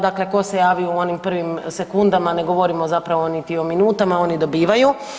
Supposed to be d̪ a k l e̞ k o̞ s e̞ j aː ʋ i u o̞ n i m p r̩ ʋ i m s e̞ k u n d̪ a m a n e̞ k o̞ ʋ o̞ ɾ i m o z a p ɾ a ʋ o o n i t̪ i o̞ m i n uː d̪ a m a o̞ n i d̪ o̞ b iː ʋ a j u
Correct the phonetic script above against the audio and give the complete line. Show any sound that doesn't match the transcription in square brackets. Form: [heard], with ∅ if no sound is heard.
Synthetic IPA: d̪ a k l e̞ k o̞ s e̞ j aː ʋ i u o̞ n i m p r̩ ʋ i m s e̞ k u n d̪ a m a n e̞ [ɡ] o̞ ʋ o̞ ɾ i m o z a p ɾ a ʋ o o n i t̪ i o̞ m i n uː [t̪] a m a o̞ n i d̪ o̞ b iː ʋ a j u